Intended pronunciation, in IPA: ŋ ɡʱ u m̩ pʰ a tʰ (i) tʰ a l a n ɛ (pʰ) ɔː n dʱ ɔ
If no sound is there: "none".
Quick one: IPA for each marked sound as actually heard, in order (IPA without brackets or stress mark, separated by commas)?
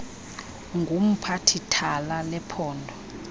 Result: i, pʰ